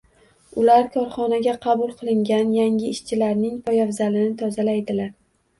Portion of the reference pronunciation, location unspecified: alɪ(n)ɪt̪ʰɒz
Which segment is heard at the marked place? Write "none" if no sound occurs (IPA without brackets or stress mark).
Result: n